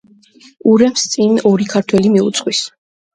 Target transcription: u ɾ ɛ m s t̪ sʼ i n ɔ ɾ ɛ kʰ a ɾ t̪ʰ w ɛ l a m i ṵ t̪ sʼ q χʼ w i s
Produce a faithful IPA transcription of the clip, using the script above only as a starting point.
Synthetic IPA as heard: u ɾ ɛ m s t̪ sʼ i n ɔ ɾ i kʰ a ɾ t̪ʰ w ɛ l i m i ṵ t̪ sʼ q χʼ w i s